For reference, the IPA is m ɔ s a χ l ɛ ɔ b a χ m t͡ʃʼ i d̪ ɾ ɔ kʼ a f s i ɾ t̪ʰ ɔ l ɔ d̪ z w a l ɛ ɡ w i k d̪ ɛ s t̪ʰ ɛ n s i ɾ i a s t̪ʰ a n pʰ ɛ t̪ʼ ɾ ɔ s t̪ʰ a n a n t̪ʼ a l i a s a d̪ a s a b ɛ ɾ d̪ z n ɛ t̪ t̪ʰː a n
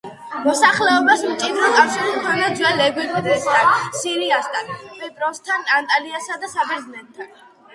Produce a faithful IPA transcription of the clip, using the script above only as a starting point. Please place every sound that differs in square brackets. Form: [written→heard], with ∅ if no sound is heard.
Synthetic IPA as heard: m ɔ s a χ l ɛ ɔ b a [χ→s] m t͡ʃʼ i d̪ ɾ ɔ kʼ a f [s→ʃ] i ɾ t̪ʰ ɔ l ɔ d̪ z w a l ɛ ɡ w i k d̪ ɛ s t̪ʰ [ɛ→a] n s i ɾ i a s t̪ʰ a n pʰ ɛ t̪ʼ ɾ ɔ s t̪ʰ a n a n t̪ʼ a l i a s a d̪ a s a b ɛ ɾ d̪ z n ɛ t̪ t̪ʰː a n